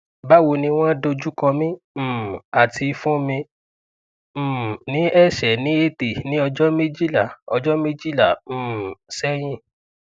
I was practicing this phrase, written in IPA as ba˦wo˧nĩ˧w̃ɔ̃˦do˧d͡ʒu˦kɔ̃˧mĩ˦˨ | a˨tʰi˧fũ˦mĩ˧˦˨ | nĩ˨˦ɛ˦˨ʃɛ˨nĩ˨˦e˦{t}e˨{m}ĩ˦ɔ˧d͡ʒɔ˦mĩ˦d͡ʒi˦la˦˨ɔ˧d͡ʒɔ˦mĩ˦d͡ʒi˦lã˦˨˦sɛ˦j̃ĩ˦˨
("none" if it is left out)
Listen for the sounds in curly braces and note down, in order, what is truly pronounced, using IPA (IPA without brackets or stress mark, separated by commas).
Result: t, n